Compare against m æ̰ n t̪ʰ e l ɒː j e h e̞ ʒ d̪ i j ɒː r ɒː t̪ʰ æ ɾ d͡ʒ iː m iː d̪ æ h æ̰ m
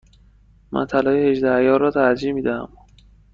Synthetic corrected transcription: m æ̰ n t̪ʰ æ l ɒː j e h e̞ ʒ d̪ æ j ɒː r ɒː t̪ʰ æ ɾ d͡ʒ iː m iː d̪ æ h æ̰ m